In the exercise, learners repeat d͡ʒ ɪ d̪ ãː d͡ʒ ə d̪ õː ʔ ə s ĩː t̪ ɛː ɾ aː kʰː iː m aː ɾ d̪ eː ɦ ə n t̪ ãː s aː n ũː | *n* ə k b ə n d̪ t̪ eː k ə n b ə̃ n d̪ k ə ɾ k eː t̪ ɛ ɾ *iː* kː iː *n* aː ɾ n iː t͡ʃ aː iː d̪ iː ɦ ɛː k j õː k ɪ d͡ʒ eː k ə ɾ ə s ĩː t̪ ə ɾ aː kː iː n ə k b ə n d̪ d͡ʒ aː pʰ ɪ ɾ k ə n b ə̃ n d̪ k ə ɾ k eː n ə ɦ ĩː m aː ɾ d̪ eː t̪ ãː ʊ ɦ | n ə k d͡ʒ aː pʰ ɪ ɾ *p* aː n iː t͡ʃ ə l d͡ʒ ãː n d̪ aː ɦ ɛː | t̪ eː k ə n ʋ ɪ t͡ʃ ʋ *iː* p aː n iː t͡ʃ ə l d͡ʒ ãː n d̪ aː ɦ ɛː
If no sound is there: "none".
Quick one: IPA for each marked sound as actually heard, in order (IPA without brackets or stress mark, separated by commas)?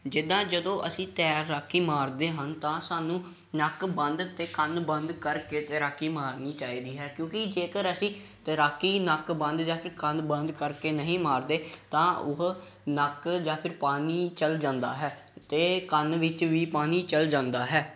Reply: n, aː, m, p, iː